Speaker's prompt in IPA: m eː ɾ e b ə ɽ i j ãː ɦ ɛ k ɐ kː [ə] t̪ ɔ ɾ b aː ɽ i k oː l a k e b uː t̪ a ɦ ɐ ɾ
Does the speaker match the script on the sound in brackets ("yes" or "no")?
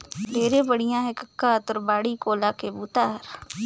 no